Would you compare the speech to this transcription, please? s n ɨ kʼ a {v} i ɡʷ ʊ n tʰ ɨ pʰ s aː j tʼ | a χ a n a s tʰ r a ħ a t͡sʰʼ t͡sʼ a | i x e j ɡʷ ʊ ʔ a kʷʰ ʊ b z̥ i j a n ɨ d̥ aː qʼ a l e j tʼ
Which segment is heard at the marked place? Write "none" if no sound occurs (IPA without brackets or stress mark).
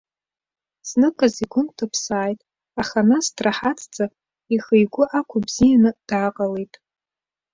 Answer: z